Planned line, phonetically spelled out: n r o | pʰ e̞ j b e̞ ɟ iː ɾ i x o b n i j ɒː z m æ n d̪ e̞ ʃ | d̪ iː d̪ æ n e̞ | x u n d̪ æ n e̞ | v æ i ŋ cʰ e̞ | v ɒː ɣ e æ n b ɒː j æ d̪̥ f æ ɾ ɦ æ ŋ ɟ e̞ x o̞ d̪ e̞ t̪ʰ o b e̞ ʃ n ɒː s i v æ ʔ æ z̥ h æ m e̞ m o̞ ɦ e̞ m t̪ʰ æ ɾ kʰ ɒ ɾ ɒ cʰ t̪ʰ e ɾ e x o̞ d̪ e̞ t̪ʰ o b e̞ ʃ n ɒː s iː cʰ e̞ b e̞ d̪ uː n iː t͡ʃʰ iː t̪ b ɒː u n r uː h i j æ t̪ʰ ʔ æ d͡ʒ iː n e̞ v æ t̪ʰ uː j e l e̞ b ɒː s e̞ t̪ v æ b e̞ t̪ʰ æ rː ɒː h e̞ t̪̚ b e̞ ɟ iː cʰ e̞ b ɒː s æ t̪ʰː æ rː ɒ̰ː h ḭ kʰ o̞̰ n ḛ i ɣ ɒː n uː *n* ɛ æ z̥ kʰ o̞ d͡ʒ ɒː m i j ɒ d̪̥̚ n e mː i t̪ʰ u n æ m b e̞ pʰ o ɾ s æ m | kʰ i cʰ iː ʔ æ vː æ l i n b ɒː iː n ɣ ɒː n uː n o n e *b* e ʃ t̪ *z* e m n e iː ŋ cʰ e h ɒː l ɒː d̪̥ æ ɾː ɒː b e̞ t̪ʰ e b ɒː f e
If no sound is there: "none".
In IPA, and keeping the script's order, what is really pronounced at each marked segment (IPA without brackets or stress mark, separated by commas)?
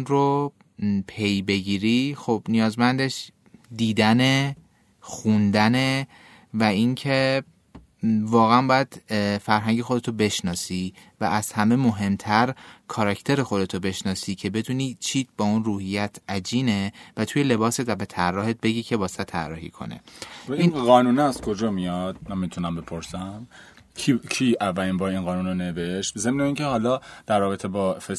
n, v, z